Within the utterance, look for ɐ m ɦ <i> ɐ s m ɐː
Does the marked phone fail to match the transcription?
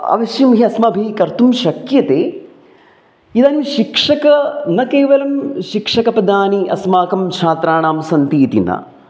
no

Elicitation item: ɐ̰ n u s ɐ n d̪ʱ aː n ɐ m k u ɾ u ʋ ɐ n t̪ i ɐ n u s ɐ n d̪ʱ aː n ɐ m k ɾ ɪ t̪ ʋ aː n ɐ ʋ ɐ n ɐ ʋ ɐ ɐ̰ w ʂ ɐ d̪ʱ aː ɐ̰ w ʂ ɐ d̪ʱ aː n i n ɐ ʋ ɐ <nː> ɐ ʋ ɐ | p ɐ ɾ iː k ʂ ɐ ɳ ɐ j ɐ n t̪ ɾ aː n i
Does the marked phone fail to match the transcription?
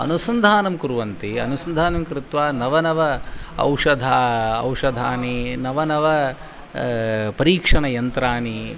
yes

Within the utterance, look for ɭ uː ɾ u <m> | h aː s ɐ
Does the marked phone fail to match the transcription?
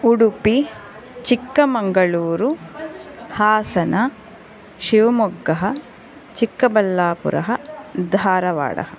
yes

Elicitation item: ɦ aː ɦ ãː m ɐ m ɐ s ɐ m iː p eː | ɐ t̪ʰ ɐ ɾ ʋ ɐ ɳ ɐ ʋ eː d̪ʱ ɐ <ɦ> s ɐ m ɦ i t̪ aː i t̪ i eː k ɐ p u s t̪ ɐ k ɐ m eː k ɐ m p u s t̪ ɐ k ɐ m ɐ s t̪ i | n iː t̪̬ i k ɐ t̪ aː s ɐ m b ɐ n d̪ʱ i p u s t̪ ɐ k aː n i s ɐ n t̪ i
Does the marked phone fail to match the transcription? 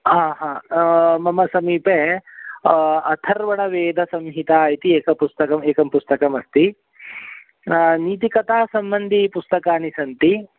yes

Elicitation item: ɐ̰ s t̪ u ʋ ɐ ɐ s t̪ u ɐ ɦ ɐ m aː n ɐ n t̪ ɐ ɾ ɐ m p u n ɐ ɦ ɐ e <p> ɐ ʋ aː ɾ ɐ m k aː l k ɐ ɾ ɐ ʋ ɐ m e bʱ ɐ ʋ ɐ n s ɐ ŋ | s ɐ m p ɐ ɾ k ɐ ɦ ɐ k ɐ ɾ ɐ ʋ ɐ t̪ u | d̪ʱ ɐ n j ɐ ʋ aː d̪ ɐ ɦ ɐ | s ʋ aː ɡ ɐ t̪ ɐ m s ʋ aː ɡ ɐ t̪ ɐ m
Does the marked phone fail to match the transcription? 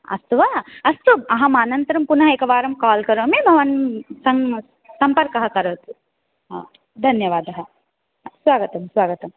yes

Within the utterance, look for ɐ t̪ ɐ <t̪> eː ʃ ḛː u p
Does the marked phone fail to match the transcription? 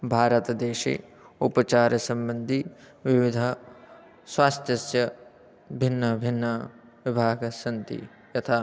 yes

